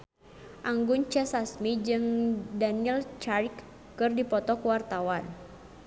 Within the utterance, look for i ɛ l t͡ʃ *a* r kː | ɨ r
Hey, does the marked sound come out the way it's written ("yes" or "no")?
yes